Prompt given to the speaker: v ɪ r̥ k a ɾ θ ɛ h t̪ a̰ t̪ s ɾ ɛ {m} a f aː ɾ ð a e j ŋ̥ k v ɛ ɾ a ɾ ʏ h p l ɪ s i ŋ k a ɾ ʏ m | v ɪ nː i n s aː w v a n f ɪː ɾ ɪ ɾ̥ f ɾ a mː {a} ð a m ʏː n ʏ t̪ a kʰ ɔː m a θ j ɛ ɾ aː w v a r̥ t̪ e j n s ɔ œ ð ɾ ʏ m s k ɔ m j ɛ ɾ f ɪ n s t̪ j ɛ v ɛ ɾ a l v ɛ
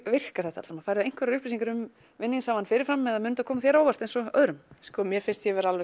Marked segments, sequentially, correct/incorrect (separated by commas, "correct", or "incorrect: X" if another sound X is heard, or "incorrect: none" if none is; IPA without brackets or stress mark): correct, incorrect: ɛ